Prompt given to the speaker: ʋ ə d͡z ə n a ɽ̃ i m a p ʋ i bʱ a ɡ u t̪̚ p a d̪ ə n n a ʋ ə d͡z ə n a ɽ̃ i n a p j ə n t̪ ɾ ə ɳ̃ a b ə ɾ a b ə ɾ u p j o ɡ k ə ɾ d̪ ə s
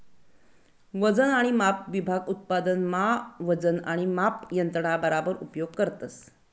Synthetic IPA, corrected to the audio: ʋ ə d͡z ə n a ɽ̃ i m a p ʋ i bʱ a ɡ u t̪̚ p a d̪ ə n m a ʋ ə d͡z ə n a ɽ̃ i m a p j ə n t̪ ɾ ə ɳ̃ a b ə ɾ a b ə ɾ u p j o ɡ k ə ɾ t̪ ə s